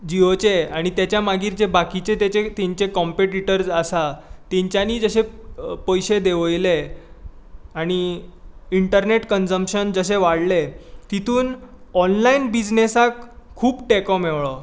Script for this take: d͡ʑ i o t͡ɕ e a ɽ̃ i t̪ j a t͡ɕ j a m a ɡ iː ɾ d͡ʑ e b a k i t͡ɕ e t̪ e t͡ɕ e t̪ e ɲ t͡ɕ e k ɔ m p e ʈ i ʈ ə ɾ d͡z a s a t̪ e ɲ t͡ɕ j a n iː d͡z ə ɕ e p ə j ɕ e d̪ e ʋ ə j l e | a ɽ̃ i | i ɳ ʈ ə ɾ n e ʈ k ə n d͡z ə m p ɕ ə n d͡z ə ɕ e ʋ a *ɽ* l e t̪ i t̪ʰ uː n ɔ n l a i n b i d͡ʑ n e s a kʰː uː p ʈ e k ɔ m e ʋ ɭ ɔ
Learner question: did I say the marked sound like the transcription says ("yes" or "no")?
yes